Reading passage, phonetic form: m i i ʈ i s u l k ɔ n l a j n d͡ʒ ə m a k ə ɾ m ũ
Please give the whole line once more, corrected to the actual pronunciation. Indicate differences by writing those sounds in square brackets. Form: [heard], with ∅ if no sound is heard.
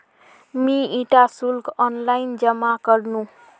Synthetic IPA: m i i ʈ [a] s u l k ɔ n l a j n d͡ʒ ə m a k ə ɾ [n] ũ